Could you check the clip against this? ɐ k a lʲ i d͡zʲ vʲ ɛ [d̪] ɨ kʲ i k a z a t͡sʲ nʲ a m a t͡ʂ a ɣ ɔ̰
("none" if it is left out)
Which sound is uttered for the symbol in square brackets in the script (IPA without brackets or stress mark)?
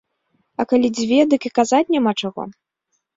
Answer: d̪